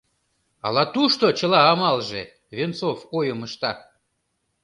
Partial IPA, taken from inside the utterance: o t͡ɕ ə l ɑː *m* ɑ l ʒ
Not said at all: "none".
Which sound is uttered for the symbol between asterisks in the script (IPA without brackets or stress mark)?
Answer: m